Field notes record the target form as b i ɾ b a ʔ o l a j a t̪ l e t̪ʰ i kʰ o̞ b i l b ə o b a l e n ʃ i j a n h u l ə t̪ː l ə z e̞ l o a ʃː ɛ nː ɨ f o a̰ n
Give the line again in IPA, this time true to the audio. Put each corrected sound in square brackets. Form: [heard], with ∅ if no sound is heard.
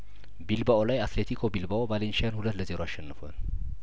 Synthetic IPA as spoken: b i [l] b a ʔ o l a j a t̪ l e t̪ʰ i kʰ o̞ b i l b [a] o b a l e n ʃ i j a n h u l ə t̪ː l ə z e̞ [ɾ] o a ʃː ɛ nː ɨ f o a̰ n

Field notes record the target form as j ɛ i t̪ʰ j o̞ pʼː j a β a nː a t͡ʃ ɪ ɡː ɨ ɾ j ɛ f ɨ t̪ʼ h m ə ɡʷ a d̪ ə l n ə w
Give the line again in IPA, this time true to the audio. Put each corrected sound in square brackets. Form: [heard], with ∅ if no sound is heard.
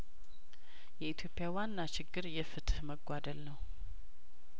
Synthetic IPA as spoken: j ɛ i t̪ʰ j o̞ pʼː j a [w] a nː a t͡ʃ ɪ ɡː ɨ ɾ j ɛ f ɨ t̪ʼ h m ə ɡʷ a d̪ ə l n ə w

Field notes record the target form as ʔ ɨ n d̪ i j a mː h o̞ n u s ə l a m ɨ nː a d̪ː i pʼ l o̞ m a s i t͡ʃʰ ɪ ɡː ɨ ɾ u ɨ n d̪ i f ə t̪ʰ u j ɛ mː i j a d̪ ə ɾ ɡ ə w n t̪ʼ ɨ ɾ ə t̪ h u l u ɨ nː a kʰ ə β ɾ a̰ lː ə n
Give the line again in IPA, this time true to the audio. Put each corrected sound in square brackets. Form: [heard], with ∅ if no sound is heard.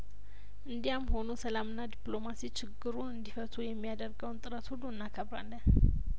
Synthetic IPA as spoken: ʔ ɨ n d̪ i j a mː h o̞ n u s ə l a m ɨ nː a [d̪] i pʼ l o̞ m a s i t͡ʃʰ ɪ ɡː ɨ ɾ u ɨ n d̪ i f ə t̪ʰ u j ɛ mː i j a d̪ ə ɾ ɡ ə w n t̪ʼ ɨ ɾ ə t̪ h u l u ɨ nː a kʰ ə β ɾ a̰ lː ə n

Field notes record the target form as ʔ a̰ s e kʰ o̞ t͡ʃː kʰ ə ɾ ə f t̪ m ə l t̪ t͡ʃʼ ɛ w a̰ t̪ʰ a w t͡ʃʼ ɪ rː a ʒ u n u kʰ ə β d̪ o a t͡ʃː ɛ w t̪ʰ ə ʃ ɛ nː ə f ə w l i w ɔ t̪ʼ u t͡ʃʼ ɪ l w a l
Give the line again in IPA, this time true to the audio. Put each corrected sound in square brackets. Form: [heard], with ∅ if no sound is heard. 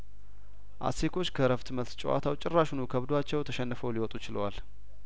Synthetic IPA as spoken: ʔ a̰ s e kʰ o̞ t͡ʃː kʰ ə ɾ ə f t̪ m ə l t̪ t͡ʃʼ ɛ w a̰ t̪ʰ a w t͡ʃʼ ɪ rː a [ʃ] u n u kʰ ə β d̪ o a t͡ʃː ɛ w t̪ʰ ə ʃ ɛ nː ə f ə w l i w ɔ t̪ʼ u [t͡ʃ] ɪ l w a l

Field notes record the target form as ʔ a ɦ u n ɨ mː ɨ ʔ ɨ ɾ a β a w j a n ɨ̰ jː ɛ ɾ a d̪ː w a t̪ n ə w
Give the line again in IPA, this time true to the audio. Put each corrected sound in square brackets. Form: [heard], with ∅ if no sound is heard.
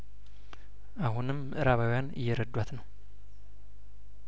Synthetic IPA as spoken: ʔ a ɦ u n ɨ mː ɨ ʔ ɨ ɾ a β a w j a n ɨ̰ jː ɛ ɾ [ə] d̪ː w a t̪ n ə w

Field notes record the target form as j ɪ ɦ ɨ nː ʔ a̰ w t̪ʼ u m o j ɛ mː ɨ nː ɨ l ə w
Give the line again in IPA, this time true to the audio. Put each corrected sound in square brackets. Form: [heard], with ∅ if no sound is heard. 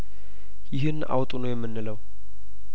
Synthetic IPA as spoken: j ɪ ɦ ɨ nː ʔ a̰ w t̪ʼ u [n] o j ɛ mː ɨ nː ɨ l ə w

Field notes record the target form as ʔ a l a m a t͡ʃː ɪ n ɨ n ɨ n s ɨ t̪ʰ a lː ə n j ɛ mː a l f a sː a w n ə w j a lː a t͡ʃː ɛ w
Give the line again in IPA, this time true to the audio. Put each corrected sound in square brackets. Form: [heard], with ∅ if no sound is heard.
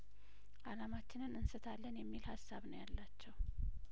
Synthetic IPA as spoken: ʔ a l a m a t͡ʃː ɪ n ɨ n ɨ n s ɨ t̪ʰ a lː ə n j ɛ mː [i] l [h] a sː a [β] n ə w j a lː a t͡ʃː ɛ w

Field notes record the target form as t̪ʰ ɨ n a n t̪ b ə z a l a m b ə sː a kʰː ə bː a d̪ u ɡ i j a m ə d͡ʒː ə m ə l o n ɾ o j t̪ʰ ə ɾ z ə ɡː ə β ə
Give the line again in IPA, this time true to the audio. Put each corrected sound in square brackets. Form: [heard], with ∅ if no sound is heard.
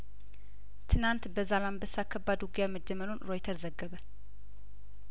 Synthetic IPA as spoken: t̪ʰ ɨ n a n t̪ b ə z a l a m b ə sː a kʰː ə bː a d̪ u ɡ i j a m ə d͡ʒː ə m ə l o n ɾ o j t̪ʰ ə ɾ z ə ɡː ə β ə

